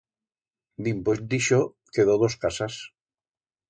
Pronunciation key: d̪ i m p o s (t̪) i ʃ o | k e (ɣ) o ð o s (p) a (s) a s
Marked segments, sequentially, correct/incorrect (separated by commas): incorrect, incorrect, incorrect, correct